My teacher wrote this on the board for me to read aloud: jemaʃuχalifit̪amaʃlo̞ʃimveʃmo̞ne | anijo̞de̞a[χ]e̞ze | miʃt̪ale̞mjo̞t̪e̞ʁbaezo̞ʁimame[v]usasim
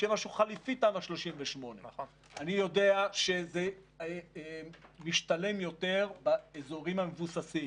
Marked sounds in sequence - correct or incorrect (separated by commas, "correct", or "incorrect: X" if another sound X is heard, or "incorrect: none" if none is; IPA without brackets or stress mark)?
incorrect: ʃ, correct